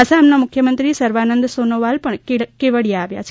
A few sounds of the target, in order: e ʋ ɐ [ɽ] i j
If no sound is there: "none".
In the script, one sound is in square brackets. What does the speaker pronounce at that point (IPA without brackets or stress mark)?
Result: ɽ